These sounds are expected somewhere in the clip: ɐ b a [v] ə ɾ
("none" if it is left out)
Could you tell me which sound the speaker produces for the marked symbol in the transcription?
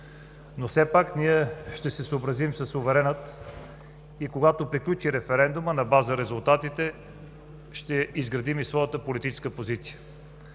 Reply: z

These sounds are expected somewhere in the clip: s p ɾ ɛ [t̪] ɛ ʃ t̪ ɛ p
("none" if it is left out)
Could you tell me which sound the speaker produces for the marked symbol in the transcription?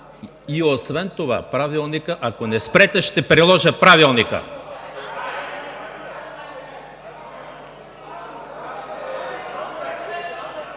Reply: t̪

